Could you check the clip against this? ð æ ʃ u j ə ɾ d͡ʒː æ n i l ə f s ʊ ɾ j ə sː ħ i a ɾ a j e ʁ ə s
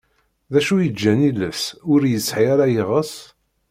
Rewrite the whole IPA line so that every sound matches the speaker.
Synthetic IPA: ð æ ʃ u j ə d͡ʒː æ n i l ə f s ʊ ɾ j ə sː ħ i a ɾ a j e ʁ ə s